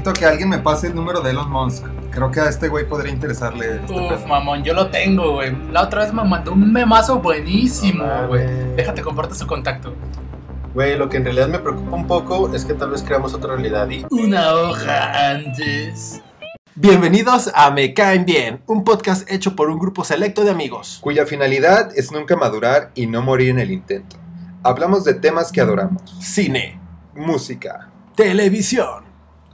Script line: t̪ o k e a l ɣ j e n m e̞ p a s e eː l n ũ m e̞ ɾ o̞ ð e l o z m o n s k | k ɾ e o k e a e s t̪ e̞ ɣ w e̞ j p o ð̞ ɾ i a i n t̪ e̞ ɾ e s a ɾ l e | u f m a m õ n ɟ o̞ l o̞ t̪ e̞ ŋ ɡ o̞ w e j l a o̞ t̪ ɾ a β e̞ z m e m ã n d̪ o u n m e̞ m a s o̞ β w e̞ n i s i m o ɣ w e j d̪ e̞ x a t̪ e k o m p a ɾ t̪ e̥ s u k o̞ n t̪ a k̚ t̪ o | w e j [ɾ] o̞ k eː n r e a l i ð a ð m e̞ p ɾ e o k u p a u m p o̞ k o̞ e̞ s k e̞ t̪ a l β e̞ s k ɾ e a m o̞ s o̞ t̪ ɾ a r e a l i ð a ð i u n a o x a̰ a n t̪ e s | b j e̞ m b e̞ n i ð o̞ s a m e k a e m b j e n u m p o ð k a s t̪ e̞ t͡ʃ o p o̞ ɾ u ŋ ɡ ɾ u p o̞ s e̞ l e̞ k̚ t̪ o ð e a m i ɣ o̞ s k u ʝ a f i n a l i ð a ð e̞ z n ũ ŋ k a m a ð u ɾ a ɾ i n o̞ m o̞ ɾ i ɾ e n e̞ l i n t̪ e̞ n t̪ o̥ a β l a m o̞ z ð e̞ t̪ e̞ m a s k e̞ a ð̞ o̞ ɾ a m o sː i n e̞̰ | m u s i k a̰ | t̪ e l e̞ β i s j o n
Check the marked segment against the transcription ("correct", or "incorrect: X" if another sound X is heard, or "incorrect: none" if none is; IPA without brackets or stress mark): incorrect: l